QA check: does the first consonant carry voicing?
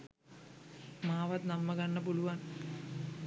yes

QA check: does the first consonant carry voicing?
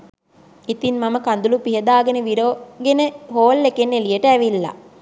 no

